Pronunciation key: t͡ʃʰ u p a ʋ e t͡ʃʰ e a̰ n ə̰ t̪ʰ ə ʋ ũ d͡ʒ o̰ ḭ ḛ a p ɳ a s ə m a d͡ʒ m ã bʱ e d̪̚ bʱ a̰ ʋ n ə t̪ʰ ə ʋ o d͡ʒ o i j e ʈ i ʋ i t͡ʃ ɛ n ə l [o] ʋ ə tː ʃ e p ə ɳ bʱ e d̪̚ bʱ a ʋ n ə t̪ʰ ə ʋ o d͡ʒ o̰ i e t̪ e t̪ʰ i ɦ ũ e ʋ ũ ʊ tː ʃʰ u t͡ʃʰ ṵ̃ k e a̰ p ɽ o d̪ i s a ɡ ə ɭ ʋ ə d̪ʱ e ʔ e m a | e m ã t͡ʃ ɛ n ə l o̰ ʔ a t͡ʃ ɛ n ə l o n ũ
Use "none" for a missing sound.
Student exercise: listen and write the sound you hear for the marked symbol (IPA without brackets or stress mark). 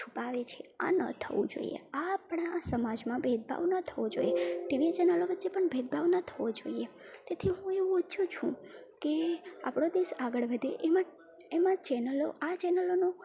o